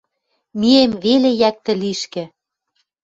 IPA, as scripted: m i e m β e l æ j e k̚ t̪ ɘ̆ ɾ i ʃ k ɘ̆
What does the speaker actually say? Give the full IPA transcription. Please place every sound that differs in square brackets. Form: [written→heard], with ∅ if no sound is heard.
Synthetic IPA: m i e m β e l [æ→e] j [e→æ] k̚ t̪ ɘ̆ [ɾ→l] i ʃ k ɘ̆